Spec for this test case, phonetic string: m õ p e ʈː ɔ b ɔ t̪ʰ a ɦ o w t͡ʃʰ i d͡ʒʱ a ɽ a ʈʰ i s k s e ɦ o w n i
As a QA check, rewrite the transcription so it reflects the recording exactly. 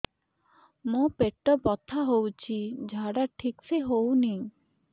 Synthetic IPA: m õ p e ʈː ɔ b ɔ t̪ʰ a ɦ o w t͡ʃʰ i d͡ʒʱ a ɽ a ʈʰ i k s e ɦ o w n i